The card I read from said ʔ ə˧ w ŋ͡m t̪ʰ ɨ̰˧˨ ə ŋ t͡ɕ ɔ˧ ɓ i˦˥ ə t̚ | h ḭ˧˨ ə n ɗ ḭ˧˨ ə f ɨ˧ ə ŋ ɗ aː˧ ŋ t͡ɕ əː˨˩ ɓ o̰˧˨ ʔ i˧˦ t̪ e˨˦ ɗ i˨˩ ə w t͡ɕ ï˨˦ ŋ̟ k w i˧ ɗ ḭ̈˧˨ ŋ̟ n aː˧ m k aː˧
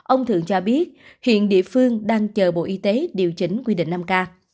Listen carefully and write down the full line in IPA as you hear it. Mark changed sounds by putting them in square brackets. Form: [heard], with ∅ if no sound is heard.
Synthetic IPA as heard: ʔ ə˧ w ŋ͡m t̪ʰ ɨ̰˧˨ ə ŋ t͡ɕ ɔ˧ ɓ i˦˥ ə t̚ | h ḭ˧˨ ə n ɗ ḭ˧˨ ə f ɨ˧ ə ŋ ɗ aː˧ ŋ t͡ɕ əː˨˩ ɓ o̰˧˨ ʔ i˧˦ t̪ e˨˦ ɗ i˨˩ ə w t͡ɕ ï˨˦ ŋ̟ k w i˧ ɗ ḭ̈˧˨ ŋ̟ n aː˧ m k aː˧